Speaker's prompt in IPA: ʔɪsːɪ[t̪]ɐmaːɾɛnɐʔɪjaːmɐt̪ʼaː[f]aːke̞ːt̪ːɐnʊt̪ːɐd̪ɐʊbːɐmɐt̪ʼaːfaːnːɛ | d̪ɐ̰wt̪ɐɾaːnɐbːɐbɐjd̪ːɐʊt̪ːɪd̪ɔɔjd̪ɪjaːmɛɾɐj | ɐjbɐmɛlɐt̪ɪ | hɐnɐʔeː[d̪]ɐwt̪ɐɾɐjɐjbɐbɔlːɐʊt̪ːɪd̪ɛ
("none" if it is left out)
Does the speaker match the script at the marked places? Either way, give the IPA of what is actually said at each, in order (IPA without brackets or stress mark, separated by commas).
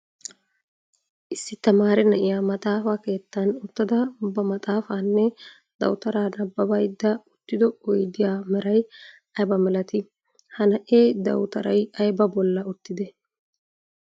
t̪, f, d̪